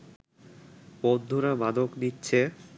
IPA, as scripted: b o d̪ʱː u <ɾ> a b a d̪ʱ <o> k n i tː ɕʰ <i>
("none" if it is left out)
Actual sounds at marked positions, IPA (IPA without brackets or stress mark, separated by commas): ɾ, o, e